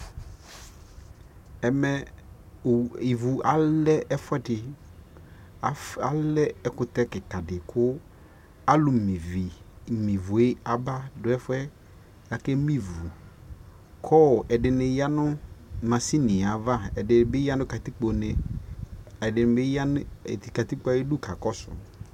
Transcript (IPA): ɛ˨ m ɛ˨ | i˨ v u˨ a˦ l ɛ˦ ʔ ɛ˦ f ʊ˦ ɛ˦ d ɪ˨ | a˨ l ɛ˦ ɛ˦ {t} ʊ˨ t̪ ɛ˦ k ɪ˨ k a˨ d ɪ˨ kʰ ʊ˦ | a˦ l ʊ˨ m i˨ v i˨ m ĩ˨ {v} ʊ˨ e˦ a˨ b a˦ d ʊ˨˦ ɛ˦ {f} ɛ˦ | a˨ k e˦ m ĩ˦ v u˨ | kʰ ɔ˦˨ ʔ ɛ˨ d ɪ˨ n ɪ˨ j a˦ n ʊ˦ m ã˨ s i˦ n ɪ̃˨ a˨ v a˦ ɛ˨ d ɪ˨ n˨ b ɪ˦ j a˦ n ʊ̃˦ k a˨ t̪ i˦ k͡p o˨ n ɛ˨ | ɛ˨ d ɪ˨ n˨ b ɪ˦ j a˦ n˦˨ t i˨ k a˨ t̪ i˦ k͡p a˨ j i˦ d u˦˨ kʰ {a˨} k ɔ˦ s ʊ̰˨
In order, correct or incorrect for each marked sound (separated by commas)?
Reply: incorrect, correct, correct, correct